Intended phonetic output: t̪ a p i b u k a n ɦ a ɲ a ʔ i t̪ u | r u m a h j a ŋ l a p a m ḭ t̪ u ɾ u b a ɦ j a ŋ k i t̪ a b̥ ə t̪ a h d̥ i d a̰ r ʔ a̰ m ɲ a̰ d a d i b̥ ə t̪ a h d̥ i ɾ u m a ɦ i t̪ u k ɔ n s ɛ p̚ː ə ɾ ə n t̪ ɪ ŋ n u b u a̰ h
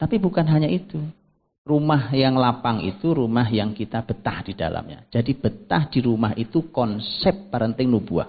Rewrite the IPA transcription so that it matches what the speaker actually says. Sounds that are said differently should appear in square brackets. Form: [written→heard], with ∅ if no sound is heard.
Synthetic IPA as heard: t̪ a p i b u k a n ɦ a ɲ a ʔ i t̪ u | r u m a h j a ŋ l a p a [m→ŋ] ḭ t̪ u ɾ u [b→m] a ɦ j a ŋ k i t̪ a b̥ ə t̪ a h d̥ i d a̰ [r→l] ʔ a̰ m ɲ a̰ [d→d͡ʒ] a d i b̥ ə t̪ a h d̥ i ɾ u m a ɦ i t̪ u k ɔ n s ɛ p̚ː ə ɾ ə n t̪ ɪ ŋ n u b u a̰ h